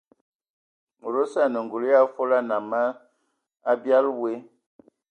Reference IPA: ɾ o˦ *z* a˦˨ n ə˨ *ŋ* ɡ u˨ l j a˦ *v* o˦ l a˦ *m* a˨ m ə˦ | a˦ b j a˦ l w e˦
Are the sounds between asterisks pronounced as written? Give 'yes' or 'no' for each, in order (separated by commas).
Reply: no, yes, no, no